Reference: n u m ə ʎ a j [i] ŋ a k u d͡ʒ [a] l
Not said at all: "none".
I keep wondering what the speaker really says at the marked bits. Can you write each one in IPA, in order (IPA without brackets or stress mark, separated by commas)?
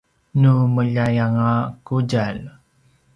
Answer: a, a